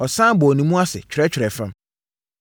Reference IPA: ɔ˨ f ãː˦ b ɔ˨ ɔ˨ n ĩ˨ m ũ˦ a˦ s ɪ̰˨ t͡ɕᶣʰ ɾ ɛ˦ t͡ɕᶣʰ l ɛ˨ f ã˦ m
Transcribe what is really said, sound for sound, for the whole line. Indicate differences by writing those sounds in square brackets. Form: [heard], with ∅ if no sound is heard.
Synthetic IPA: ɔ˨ [s] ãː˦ b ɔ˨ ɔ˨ n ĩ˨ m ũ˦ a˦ s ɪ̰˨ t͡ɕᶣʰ ɾ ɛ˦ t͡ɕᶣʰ [ɾ] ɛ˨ f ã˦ m